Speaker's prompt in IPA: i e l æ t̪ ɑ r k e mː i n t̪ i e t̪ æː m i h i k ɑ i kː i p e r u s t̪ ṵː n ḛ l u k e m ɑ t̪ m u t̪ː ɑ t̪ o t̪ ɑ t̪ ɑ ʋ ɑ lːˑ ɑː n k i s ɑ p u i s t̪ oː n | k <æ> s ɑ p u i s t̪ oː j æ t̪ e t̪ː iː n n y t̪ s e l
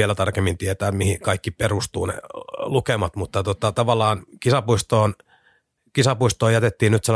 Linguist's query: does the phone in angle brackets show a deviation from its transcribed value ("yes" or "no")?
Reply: yes